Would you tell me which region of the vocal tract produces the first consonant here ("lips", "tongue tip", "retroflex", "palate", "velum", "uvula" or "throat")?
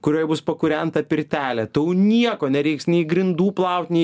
velum